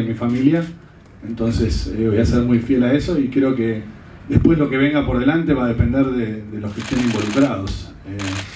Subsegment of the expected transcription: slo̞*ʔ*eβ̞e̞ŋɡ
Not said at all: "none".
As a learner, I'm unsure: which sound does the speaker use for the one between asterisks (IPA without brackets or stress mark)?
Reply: k